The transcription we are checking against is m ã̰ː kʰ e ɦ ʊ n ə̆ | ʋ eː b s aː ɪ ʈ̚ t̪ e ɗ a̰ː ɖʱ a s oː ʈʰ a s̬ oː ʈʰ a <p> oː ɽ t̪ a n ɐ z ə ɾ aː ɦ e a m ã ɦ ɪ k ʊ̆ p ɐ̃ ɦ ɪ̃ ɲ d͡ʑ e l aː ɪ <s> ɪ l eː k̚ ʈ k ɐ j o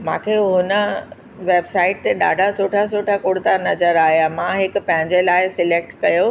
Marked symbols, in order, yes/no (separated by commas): no, yes